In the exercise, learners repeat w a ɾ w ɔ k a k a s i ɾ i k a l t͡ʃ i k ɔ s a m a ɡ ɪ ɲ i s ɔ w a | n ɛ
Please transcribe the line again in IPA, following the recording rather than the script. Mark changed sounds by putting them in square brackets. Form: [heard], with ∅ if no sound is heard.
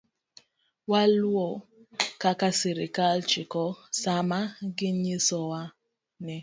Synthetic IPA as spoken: w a [l] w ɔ k a k a s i ɾ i k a l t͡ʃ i k ɔ s a m a ɡ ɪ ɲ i s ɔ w a | n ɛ